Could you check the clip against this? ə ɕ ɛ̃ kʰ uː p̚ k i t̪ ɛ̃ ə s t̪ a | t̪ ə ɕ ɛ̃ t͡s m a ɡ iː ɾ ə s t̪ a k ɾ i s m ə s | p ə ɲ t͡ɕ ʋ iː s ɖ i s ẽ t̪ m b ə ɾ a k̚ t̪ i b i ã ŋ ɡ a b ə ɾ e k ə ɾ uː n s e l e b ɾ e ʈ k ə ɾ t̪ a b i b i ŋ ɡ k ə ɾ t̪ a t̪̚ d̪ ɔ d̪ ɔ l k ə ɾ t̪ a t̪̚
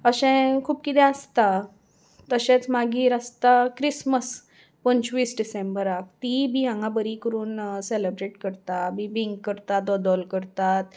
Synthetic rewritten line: ə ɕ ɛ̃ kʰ uː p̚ k i t̪ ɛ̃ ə s t̪ a | t̪ ə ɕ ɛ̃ t͡s m a ɡ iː ɾ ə s t̪ a k ɾ i s m ə s | p ə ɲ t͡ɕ ʋ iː s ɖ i s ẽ m b ə ɾ a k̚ t̪ i b i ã ŋ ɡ a b ə ɾ i k ə ɾ uː n s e l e b ɾ e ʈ k ə ɾ t̪ a b i b i ŋ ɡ k ə ɾ t̪ a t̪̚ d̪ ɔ d̪ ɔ l k ə ɾ t̪ a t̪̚